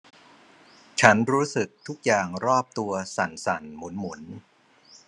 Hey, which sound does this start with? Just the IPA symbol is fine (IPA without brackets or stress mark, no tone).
t͡ɕʰ